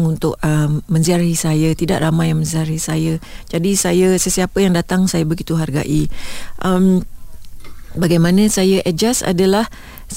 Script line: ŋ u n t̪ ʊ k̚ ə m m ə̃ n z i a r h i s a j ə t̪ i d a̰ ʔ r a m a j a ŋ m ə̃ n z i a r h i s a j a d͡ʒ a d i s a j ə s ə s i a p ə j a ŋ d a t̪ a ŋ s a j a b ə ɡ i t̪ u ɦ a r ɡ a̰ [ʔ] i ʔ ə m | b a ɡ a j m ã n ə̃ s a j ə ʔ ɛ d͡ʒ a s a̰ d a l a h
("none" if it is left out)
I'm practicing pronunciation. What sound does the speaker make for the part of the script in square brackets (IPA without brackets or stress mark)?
ʔ